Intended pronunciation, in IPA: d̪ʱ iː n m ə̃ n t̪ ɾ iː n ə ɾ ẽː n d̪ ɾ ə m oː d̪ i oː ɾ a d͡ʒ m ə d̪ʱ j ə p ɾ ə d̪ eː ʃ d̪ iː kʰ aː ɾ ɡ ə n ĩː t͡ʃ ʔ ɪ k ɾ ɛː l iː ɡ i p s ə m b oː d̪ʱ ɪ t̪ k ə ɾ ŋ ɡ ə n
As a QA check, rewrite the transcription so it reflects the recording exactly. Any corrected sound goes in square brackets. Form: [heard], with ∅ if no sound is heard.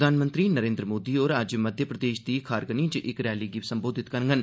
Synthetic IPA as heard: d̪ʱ [aː] n m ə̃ n t̪ ɾ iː n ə ɾ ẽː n d̪ ɾ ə m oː d̪ i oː ɾ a d͡ʒ m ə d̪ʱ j ə p ɾ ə d̪ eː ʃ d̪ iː kʰ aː ɾ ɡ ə n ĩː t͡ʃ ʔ ɪ k ɾ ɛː l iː ɡ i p s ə m b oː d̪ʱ ɪ t̪ k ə ɾ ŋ ɡ ə n